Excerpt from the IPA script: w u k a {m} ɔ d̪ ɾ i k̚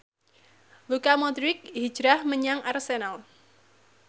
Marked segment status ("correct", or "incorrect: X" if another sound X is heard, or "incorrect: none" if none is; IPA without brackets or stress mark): correct